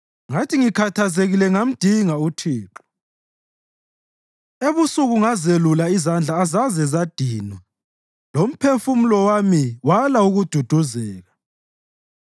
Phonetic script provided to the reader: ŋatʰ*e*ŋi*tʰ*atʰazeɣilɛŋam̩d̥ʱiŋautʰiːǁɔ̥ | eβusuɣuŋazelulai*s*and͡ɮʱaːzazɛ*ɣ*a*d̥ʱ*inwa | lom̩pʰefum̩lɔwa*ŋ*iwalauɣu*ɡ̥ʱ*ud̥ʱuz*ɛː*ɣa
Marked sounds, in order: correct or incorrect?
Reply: incorrect: i, incorrect: kʰ, incorrect: z, incorrect: z, correct, incorrect: m, incorrect: d̥ʱ, correct

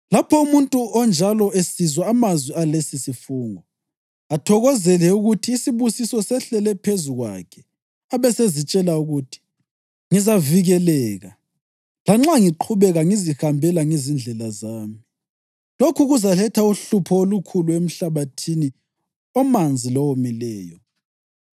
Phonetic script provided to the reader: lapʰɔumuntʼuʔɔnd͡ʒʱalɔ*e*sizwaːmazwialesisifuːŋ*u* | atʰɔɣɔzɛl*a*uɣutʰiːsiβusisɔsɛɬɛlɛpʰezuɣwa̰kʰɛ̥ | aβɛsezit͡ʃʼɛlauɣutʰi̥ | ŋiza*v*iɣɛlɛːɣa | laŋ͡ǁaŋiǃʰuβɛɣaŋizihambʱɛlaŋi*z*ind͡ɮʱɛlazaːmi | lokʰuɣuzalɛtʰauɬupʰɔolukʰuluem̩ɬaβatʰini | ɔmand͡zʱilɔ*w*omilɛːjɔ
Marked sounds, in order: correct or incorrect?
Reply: correct, incorrect: ɔ, incorrect: ɛ, correct, correct, correct

